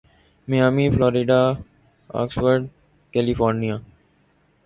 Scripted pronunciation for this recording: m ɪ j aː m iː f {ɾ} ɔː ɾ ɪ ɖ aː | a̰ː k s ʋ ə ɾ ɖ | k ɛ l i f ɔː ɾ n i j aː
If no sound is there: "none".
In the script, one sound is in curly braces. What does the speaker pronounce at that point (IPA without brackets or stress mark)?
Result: l